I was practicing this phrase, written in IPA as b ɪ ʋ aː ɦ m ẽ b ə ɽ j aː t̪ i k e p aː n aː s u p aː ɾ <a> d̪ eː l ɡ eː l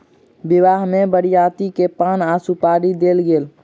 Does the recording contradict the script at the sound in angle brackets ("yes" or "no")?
yes